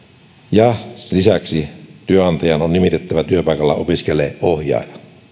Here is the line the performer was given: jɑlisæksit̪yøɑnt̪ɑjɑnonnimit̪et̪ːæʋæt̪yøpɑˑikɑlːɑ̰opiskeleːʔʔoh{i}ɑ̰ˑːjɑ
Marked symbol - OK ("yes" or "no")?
no